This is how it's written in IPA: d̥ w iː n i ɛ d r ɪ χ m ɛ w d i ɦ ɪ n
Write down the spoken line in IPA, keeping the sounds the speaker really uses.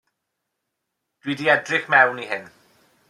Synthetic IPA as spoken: d̥ w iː d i ɛ d r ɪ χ m ɛ w n i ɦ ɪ n